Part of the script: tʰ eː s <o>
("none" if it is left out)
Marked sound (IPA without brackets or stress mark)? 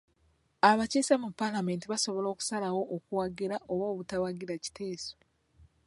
o